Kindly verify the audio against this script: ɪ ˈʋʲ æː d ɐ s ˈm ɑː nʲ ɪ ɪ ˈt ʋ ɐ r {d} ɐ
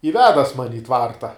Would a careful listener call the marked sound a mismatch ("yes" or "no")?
yes